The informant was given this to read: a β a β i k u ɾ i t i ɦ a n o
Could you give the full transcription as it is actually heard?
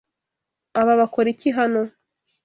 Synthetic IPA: a β a β a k o ɾ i c i ɦ a n o

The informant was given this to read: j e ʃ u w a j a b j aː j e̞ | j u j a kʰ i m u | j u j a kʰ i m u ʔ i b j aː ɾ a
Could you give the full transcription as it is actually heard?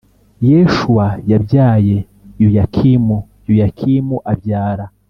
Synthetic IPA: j e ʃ u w a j a b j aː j e̞ | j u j a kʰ i m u | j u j a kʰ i m u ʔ a b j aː ɾ a

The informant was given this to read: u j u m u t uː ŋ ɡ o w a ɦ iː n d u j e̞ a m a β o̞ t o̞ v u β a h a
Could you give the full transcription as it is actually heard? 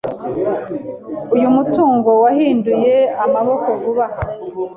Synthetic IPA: u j u m u t uː ŋ ɡ o w a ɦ iː n d u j e̞ a m a β o̞ k o̞ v u β a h a

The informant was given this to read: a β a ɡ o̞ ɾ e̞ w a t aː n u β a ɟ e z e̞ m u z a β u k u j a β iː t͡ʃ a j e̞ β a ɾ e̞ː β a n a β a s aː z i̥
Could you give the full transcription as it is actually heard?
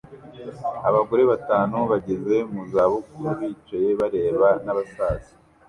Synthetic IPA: a β a ɡ o̞ ɾ e̞ β a t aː n u β a ɟ e z e̞ m u z a β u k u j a β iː t͡ʃ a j e̞ β a ɾ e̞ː β a n a β a s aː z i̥

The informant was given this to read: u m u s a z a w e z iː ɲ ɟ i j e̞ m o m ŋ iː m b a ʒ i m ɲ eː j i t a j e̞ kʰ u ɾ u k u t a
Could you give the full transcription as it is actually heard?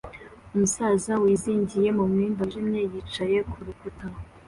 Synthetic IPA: u m u s a z a w i z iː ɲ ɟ i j e̞ m u m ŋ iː m b a ʒ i m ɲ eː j i t͡ʃ a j e̞ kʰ u ɾ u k u t a

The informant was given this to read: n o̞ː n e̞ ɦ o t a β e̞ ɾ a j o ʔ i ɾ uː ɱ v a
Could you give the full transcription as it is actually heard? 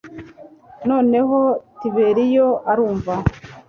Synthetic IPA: n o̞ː n e̞ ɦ o t i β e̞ ɾ i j o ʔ a ɾ uː ɱ v a

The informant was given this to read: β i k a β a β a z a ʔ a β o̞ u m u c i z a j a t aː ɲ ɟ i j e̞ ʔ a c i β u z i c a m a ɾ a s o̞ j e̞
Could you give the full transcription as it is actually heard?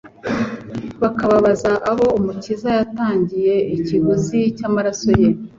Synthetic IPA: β a k a β a β a z a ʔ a β o̞ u m u c i z a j a t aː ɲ ɟ i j e̞ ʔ i c i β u z i c a m a ɾ a s o̞ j e̞

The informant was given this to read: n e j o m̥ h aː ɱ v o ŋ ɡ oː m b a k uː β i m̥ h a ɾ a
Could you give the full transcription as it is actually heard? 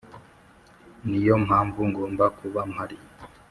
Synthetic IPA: n i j o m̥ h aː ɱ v u ŋ ɡ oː m b a k u β a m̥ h a ɾ i

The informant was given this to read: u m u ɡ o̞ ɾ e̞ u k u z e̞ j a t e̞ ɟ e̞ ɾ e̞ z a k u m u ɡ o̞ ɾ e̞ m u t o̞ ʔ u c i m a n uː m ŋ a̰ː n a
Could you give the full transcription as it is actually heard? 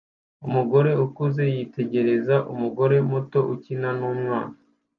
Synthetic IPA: u m u ɡ o̞ ɾ e̞ u k u z e̞ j i t e̞ ɟ e̞ ɾ e̞ z a ʔ u m u ɡ o̞ ɾ e̞ m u t o̞ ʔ u c i n a n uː m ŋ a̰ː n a

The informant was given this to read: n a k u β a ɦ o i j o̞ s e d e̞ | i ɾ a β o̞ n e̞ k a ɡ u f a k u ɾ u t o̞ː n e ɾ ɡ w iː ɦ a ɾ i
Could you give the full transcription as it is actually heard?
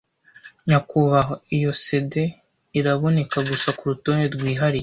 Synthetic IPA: ɲ a k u β a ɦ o i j o̞ s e d e̞ | i ɾ a β o̞ n e̞ k a ɡ u s a k u ɾ u t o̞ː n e ɾ ɡ w iː ɦ a ɾ i

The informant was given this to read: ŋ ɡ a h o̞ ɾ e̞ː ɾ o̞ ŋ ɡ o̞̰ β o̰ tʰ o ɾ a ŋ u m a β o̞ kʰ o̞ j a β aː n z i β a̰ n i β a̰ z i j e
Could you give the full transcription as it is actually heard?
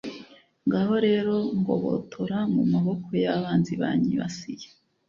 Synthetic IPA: ŋ ɡ a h o̞ ɾ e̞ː ɾ o̞ ŋ ɡ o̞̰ β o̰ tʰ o ɾ a ŋ u m a β o̞ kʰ o̞ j a β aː n z i β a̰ ɲ i β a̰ s i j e

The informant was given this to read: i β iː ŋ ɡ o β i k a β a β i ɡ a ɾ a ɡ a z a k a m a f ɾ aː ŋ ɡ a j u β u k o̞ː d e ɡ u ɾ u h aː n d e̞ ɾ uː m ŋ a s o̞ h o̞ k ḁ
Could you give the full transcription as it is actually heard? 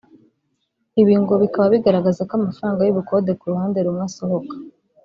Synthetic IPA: i β iː ŋ ɡ o β i k a β a β i ɡ a ɾ a ɡ a z a k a m a f ɾ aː ŋ ɡ a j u β u k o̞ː d e k u ɾ u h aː n d e̞ ɾ u m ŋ a s o̞ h o̞ k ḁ

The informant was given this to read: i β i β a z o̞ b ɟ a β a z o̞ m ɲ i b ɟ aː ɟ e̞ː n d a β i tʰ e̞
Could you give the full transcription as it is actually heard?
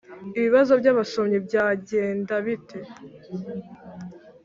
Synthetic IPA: i β i β a z o̞ b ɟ a β a s o̞ m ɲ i b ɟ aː ɟ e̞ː n d a β i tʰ e̞

